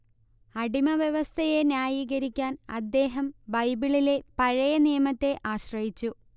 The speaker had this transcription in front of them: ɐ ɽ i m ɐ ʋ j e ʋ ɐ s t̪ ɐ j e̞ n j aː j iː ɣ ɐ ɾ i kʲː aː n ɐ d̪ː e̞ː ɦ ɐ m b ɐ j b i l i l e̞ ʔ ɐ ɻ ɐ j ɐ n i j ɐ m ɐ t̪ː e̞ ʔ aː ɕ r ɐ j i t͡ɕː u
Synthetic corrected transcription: ɐ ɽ i m ɐ ʋ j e ʋ ɐ s t̪ʰ ɐ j e̞ n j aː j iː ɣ ɐ ɾ i kʲː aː n ɐ d̪ː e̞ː ɦ ɐ m b ɐ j b i ɭ i l e̞ p ɐ ɻ ɐ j ɐ n i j ɐ m ɐ t̪ː e̞ ʔ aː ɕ r ɐ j i t͡ɕː u

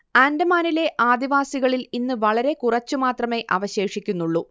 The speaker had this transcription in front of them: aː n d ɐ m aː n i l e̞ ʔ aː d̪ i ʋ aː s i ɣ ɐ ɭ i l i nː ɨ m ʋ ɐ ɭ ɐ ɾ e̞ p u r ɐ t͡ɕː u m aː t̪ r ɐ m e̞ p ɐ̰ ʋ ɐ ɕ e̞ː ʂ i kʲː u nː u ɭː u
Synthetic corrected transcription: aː n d ɐ m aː n i l e̞ ʔ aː d̪ i ʋ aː s i ɣ ɐ ɭ i l i nː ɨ ʋ ɐ ɭ ɐ ɾ e̞ k u r ɐ t͡ɕː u m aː t̪ r ɐ m e̞ ʔ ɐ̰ ʋ ɐ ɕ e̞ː ʂ i kʲː u nː u ɭː u

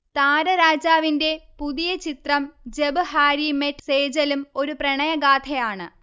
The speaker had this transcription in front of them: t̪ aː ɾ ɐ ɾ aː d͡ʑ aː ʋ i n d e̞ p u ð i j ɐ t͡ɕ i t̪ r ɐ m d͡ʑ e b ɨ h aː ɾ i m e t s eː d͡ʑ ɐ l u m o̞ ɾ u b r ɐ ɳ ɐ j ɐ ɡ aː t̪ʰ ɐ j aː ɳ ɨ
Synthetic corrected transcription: t̪ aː ɾ ɐ ɾ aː d͡ʑ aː ʋ i n d e̞ p u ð i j ɐ t͡ɕ i t̪ r ɐ m d͡ʑ e b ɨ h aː ɾ i m e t s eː d͡ʑ ɐ l u m o̞ ɾ u p r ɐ ɳ ɐ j ɐ ɡ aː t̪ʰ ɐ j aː ɳ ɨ

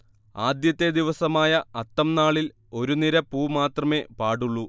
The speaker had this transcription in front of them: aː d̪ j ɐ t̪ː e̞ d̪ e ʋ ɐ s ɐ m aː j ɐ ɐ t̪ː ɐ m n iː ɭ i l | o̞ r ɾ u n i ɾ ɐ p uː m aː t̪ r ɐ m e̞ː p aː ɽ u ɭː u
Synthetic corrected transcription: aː d̪ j ɐ t̪ː e̞ d̪ i ʋ ɐ s ɐ m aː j ɐ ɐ t̪ː ɐ m n aː ɭ i l | o̞ ɾ u n i ɾ ɐ p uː m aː t̪ r ɐ m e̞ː p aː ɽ u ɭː u

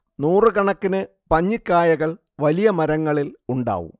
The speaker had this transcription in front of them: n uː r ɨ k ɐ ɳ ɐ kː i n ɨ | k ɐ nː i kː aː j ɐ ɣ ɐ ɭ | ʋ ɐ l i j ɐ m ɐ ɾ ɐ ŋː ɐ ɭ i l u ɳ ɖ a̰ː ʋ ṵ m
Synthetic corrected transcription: n uː r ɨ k ɐ ɳ ɐ kː i n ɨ | p ɐ ɲː i kː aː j ɐ ɣ ɐ ɭ | ʋ ɐ l i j ɐ m ɐ ɾ ɐ ŋː ɐ ɭ i l u ɳ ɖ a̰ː ʋ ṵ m

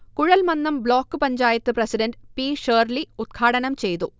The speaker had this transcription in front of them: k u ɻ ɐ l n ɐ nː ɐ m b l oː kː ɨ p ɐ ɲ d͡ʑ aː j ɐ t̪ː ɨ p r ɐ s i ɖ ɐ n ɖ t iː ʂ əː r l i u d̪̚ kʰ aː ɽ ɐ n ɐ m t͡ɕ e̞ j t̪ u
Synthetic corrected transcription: k u ɻ ɐ l m ɐ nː ɐ m b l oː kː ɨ p ɐ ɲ d͡ʑ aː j ɐ t̪ː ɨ p r ɐ s i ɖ ɐ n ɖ p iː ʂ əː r l i u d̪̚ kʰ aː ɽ ɐ n ɐ m t͡ɕ e̞ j t̪ u

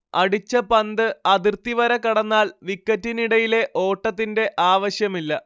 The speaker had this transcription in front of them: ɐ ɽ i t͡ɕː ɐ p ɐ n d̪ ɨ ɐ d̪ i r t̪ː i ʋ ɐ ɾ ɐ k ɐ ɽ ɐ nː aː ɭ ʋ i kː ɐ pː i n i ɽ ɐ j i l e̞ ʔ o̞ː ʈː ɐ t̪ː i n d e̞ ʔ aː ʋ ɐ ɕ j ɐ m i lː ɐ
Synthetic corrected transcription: ɐ ɽ i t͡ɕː ɐ p ɐ n d̪ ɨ ɐ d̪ i r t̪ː i ʋ ɐ ɾ ɐ k ɐ ɽ ɐ nː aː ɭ ʋ i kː ɐ tː i n i ɽ ɐ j i l e̞ ʔ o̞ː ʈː ɐ t̪ː i n d e̞ ʔ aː ʋ ɐ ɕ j ɐ m i lː ɐ

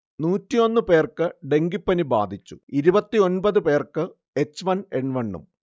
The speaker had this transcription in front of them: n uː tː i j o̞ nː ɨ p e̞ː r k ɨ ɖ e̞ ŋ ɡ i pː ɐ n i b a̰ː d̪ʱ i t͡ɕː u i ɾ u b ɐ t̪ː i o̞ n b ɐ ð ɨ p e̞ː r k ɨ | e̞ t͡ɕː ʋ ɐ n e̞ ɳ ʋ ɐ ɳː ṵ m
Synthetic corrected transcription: n uː tː i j o̞ nː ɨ p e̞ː r k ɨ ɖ e̞ ŋ ɡ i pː ɐ n i b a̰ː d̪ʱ i t͡ɕː u i ɾ u b ɐ t̪ː i o̞ n b ɐ ð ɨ p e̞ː r k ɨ | e̞ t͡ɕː ʋ ɐ n e̞ ɳ ʋ ɐ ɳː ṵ m

